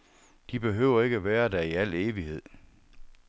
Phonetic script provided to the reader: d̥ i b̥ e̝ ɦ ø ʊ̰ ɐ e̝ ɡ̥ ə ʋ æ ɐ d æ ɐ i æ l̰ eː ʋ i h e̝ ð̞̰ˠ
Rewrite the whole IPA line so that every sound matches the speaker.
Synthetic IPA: d̥ i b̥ e̝ ɦ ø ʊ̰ ɐ e̝ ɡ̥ ə ʋ æː ɐ d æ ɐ i æ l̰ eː ʋ i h e̝ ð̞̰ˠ